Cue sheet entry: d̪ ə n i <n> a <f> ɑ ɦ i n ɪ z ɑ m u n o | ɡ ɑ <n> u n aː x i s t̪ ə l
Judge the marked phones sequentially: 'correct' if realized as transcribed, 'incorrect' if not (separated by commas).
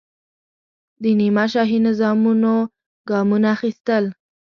incorrect, incorrect, incorrect